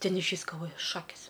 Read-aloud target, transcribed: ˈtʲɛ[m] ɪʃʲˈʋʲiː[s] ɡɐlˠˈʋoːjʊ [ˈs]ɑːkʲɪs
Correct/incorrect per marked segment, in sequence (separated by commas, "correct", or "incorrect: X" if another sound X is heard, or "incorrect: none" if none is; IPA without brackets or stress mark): incorrect: n, correct, incorrect: ʃ